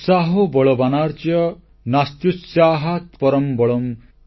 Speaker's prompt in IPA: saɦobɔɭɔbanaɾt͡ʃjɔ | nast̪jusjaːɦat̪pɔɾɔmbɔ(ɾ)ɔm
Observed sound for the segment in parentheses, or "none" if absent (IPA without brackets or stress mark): ɭ